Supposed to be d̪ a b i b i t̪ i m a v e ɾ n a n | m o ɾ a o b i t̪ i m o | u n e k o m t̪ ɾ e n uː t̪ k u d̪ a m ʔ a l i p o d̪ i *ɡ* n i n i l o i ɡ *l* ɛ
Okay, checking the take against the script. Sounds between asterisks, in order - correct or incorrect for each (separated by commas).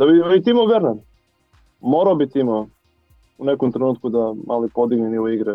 correct, incorrect